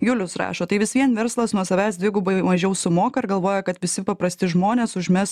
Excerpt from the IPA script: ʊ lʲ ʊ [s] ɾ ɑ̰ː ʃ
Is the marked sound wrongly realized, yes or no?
no